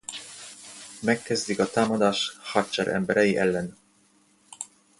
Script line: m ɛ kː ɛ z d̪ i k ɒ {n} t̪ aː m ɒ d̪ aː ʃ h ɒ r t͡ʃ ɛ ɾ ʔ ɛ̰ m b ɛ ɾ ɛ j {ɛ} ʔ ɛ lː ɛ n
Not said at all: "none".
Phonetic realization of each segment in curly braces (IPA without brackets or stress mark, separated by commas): none, i